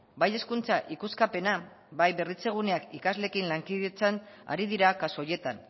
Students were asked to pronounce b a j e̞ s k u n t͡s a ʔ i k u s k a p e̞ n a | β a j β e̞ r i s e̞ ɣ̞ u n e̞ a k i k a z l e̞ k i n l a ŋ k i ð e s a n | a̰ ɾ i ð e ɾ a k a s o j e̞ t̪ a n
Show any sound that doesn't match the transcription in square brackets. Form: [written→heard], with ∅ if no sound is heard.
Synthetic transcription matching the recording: b a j e̞ s k u n t͡s a ʔ i k u s k a p e̞ n a | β a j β e̞ r i [s→t͡s] e̞ ɣ̞ u n e̞ a k i k a z l e̞ k i n l a ŋ k i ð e [s→t͡s] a n | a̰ ɾ i ð [e→i] ɾ a k a s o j e̞ t̪ a n